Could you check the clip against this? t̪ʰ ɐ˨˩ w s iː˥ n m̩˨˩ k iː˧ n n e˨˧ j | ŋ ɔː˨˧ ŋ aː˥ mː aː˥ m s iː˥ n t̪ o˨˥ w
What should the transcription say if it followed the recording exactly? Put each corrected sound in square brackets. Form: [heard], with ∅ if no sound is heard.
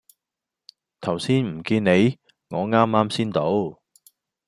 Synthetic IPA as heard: t̪ʰ ɐ˨˩ w s iː˥ n m̩˨˩ k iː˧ n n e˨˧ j | ŋ ɔː˨˧ ŋ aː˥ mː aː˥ m s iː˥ n t̪ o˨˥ w